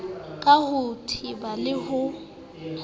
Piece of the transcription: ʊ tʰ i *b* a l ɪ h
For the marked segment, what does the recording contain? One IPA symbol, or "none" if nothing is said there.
b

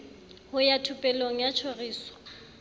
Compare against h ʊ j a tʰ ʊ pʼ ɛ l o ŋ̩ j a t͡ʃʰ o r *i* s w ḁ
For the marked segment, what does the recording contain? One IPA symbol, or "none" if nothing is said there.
iː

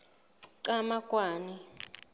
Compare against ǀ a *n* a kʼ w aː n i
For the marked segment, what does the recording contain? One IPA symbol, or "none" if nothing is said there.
m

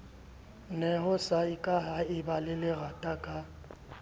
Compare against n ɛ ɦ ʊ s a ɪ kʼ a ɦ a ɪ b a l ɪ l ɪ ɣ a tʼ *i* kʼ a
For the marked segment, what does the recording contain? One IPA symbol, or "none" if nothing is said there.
a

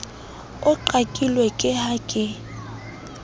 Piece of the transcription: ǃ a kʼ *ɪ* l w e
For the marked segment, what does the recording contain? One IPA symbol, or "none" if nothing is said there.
i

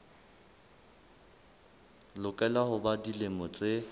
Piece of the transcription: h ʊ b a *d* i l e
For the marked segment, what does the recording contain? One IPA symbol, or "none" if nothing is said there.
d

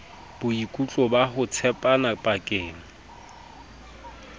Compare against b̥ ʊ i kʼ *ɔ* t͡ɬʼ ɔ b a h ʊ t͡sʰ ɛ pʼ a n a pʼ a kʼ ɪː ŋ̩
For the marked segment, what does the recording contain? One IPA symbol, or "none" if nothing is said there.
u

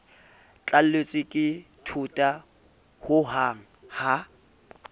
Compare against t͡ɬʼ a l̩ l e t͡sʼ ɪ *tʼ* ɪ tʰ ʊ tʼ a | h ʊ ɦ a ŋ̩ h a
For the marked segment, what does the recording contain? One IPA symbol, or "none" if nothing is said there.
kʼ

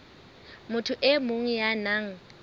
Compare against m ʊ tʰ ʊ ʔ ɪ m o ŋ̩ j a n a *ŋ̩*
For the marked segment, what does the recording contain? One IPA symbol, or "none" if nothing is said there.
ŋ̩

